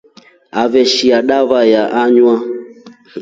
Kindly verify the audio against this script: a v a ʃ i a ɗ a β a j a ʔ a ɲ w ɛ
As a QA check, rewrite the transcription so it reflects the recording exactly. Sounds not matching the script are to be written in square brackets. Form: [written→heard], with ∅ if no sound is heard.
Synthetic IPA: a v [a→ɛ] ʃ i a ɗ a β a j a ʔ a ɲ w [ɛ→a]